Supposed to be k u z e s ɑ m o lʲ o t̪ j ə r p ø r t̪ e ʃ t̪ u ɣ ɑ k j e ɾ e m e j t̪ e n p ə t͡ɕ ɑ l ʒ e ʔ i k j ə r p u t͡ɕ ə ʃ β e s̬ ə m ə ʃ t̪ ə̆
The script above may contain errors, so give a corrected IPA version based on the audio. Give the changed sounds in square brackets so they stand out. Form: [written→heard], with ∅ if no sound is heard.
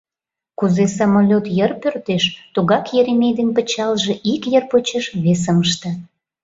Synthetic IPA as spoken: k u z e s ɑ m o lʲ o t̪ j ə r p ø r t̪ e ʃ t̪ u ɣ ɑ k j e ɾ e m e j [t̪→d̪] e n p ə t͡ɕ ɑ l ʒ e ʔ i k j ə r p [u→o] t͡ɕ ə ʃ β e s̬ ə m ə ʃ t̪ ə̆